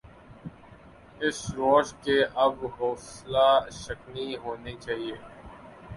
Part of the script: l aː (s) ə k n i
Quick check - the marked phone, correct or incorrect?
incorrect